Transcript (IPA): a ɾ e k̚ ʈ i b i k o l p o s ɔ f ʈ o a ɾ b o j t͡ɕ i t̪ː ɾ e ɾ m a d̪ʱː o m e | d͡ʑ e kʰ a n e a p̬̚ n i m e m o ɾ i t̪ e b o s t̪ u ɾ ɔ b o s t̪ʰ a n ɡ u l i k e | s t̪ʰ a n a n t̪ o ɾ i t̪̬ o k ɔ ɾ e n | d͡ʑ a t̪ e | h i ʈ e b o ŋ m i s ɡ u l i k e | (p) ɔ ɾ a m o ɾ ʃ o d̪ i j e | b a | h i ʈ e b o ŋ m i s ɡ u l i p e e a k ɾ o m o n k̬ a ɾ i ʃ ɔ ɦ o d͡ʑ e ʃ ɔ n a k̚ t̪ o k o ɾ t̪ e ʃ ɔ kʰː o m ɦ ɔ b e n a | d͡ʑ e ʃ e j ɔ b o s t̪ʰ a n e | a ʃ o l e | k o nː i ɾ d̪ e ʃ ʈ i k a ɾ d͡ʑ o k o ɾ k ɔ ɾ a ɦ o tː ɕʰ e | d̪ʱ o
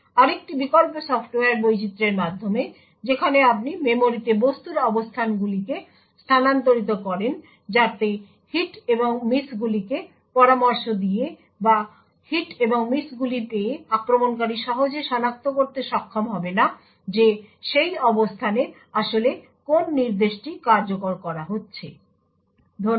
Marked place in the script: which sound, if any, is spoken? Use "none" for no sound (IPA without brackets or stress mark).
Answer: p